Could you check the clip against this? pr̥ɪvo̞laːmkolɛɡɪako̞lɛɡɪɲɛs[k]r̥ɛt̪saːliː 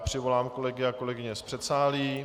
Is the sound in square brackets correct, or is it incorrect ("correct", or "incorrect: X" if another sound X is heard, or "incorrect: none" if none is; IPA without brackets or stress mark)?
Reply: incorrect: p